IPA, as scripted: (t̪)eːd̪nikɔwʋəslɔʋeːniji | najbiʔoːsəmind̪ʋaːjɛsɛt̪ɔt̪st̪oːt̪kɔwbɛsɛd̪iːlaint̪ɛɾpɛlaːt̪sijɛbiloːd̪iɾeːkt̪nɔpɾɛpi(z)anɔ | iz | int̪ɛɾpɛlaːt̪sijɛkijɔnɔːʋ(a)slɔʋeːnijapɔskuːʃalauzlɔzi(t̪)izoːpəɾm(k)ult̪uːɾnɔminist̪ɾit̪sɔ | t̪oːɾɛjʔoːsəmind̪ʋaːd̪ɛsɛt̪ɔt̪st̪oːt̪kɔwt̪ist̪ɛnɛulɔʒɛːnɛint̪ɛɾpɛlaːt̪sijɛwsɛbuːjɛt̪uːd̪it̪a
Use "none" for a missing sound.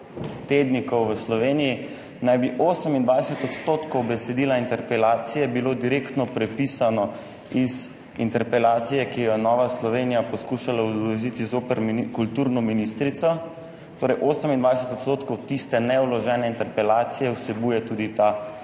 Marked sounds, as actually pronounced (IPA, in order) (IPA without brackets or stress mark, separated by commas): t̪, s, a, t̪, k